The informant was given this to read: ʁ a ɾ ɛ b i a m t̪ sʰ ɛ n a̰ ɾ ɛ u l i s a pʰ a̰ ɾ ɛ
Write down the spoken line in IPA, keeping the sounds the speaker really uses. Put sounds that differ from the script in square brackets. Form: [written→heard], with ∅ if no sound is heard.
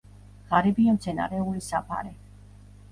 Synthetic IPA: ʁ a ɾ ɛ b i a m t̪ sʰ ɛ n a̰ ɾ ɛ u l i s a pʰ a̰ ɾ ɛ